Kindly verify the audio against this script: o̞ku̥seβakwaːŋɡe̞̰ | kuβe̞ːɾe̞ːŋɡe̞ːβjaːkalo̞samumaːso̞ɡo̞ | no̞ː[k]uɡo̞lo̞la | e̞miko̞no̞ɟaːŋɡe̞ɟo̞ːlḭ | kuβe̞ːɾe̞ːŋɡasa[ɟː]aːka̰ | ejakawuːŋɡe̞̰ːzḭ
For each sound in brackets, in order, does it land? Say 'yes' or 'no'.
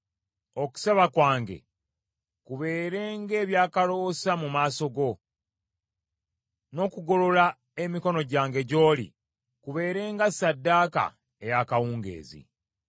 yes, no

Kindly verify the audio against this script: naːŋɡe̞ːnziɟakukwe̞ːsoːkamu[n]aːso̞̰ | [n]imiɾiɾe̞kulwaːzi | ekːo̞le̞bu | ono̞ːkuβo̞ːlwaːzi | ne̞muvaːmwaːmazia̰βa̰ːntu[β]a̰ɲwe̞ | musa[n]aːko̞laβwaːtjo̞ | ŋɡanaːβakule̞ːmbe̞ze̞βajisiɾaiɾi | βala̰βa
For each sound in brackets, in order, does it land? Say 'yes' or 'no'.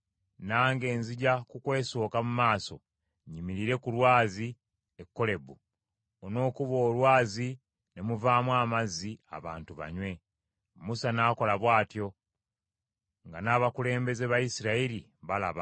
no, no, yes, yes

